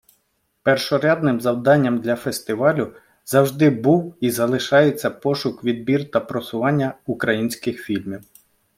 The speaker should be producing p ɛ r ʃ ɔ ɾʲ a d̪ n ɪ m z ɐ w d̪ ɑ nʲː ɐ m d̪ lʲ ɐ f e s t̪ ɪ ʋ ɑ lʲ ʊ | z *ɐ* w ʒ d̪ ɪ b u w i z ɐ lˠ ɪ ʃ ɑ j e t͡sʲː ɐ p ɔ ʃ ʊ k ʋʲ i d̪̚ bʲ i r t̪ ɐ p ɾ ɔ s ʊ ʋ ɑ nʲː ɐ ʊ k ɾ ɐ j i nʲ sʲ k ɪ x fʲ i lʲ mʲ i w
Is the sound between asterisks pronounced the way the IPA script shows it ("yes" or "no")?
yes